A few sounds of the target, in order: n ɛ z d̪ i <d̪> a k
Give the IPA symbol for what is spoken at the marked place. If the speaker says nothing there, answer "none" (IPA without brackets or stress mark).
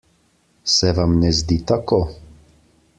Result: t̪